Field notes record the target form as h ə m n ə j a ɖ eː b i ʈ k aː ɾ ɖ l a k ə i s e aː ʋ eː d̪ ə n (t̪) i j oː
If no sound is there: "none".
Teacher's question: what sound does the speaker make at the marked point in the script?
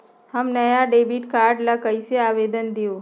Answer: d̪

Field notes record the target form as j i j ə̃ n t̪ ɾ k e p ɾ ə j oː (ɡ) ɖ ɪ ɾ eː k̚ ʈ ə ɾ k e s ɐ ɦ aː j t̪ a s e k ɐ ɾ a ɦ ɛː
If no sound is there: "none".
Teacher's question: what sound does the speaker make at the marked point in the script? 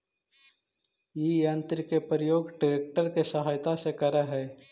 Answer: ɡ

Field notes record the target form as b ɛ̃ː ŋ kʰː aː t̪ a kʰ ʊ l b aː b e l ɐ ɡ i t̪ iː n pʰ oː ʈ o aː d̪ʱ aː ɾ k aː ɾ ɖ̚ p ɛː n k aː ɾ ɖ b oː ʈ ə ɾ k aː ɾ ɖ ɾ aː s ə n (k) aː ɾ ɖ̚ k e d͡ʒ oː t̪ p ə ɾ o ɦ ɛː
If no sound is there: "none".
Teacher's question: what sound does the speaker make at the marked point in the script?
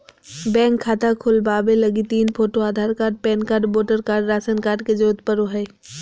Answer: k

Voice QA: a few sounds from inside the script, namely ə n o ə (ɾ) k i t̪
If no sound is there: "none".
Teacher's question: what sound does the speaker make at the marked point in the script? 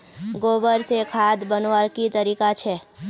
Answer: ɾ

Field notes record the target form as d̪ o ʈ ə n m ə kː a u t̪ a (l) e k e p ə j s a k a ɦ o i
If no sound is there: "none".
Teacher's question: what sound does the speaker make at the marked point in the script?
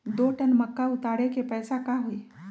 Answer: ɽ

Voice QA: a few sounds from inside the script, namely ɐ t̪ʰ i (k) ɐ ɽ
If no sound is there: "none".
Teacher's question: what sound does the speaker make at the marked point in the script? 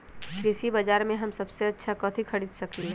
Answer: kʰ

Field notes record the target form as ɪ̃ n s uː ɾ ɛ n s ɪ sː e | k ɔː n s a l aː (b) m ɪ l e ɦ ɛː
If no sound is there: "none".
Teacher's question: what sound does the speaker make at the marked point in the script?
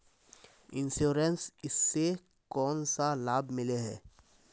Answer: b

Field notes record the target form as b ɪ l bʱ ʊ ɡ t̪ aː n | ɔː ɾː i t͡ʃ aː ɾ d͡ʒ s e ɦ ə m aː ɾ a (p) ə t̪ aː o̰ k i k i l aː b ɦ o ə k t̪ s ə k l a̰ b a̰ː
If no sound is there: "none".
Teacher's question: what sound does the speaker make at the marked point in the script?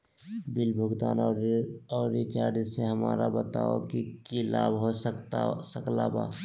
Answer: b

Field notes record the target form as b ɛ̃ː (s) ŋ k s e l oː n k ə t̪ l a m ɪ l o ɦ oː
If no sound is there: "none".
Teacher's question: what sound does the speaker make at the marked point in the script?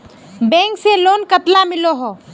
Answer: none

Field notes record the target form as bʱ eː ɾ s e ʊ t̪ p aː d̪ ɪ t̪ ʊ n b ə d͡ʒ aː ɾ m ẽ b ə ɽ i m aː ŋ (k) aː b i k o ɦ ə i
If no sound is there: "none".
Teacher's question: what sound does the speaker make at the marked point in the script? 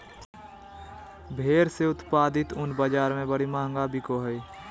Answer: ɡ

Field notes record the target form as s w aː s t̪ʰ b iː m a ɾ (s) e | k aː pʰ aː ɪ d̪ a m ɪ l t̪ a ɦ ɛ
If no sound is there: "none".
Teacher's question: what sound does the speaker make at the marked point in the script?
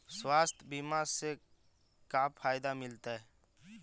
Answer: s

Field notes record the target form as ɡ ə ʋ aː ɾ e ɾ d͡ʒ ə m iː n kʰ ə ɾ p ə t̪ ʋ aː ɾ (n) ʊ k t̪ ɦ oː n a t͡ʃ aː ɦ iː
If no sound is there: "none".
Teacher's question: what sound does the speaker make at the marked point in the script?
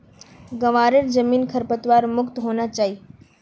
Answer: m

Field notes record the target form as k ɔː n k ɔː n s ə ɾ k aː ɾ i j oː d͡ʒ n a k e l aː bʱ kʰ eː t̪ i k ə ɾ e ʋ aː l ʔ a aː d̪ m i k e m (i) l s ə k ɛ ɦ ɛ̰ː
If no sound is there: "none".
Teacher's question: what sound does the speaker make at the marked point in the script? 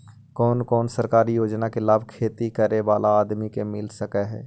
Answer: ɪ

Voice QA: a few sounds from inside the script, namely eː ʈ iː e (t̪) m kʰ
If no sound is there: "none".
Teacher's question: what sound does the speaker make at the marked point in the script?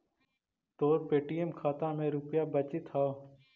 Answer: none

